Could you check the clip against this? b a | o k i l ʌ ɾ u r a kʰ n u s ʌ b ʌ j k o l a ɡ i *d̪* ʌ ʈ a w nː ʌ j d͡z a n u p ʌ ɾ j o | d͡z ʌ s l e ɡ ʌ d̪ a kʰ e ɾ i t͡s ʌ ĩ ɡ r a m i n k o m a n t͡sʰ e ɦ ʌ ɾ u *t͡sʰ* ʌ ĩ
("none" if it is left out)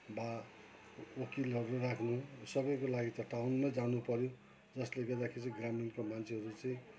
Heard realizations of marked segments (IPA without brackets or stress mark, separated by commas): t̪, t͡s